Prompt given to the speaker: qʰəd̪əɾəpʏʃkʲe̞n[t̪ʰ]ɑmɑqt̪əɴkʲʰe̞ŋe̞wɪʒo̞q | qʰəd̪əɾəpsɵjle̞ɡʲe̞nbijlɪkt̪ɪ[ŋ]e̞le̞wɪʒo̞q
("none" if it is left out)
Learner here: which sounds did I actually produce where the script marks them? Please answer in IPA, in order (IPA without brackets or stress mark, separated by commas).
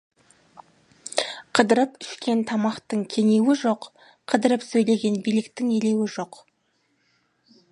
t̪ʰ, ŋ